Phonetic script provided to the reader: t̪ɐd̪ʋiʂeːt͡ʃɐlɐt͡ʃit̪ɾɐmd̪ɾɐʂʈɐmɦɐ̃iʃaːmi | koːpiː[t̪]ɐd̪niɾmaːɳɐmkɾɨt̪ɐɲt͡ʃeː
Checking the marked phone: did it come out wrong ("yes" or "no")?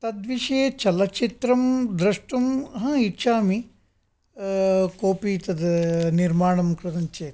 no